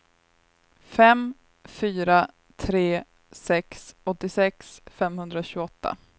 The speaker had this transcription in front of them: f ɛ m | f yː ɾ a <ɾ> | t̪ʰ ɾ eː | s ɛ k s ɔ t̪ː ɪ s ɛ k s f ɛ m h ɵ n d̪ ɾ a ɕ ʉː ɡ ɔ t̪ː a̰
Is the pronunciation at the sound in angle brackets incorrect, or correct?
incorrect